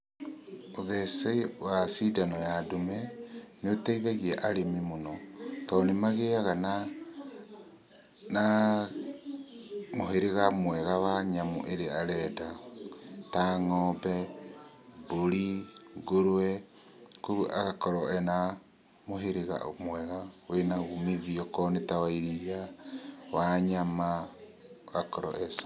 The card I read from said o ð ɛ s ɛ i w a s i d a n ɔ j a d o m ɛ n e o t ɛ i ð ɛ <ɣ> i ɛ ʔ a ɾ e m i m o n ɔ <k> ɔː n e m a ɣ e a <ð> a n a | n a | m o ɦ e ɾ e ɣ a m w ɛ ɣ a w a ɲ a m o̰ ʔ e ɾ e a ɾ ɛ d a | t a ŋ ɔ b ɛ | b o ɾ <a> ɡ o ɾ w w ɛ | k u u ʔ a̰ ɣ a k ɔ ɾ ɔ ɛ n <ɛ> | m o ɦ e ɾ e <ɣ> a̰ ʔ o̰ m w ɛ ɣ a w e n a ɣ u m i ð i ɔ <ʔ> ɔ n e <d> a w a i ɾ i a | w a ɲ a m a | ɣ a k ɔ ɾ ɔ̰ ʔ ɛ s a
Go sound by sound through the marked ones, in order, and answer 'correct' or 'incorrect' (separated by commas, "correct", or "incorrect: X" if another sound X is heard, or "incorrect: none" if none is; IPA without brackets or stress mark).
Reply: correct, incorrect: t, incorrect: ɣ, incorrect: i, incorrect: a, correct, incorrect: k, incorrect: t